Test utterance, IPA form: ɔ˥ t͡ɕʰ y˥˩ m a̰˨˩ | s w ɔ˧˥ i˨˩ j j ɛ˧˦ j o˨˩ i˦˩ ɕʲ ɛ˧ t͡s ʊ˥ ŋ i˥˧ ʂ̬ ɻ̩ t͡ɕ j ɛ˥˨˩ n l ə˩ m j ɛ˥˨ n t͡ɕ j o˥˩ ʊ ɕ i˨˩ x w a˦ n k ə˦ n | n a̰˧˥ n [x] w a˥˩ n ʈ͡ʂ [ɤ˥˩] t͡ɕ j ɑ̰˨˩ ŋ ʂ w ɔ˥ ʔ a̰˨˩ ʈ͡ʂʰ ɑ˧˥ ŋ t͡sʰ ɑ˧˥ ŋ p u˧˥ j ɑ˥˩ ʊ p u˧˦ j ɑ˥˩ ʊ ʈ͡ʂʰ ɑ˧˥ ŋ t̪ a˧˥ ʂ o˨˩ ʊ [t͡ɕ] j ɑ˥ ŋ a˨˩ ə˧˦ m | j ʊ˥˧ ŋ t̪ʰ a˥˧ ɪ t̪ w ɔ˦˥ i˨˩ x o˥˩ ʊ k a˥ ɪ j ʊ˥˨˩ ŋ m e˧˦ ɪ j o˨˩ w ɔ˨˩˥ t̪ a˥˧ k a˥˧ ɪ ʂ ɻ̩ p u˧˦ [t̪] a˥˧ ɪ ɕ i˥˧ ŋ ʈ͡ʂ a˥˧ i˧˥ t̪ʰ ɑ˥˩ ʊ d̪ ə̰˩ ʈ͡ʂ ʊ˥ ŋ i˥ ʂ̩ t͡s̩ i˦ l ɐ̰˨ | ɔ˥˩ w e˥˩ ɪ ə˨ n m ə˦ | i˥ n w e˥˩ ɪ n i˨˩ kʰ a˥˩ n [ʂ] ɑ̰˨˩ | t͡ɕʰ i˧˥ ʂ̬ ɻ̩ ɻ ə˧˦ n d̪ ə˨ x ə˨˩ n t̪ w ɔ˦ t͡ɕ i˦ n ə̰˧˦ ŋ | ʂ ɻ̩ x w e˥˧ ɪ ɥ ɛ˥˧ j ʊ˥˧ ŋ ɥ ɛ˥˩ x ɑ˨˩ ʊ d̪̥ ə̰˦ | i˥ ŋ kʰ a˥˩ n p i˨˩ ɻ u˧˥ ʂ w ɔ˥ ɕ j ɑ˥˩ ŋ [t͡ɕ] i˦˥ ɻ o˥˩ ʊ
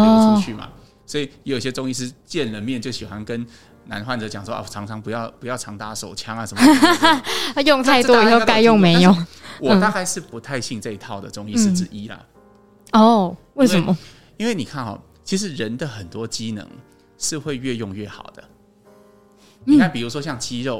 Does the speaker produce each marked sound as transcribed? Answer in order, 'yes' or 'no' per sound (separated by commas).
yes, no, no, no, no, yes